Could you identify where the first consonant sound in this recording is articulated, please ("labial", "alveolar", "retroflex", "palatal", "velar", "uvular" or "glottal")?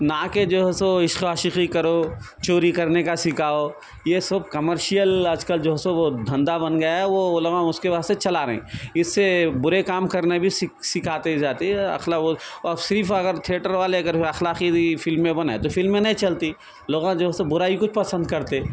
alveolar